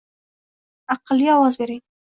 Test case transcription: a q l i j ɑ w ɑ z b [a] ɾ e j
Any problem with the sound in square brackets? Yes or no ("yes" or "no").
yes